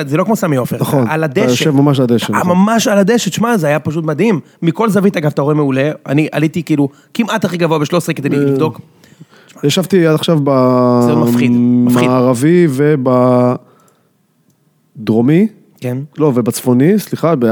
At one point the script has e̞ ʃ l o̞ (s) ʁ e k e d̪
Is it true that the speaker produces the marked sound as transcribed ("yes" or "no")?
yes